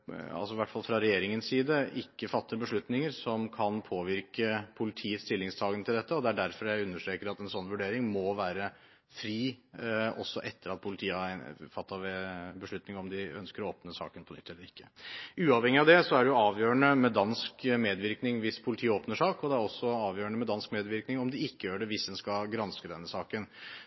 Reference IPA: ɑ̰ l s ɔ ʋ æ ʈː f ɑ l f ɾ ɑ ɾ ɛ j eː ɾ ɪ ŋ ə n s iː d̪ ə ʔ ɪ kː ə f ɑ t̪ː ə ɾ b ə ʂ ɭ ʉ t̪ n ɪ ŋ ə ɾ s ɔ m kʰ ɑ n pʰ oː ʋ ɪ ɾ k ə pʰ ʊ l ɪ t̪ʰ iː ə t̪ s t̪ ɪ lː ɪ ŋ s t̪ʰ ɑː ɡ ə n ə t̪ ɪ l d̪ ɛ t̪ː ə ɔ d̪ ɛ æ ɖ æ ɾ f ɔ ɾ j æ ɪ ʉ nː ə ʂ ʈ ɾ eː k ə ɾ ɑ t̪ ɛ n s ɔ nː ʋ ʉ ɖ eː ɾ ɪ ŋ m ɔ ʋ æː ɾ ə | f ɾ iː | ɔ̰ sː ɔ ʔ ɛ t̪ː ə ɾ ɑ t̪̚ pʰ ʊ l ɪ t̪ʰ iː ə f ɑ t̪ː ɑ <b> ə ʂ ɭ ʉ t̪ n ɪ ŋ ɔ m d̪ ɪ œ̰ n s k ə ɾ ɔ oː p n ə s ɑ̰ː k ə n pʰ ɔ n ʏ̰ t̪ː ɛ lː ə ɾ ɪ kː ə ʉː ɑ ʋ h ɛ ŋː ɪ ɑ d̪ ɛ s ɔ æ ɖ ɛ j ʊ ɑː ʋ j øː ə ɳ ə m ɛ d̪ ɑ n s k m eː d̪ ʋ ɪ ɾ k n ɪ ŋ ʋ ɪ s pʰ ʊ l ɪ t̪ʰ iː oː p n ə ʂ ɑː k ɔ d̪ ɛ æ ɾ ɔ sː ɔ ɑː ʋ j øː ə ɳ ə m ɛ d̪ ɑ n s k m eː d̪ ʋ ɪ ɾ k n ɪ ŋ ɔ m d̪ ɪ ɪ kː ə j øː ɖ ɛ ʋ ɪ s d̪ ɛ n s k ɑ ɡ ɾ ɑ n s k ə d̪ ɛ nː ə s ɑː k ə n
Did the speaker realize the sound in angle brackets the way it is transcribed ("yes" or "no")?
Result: yes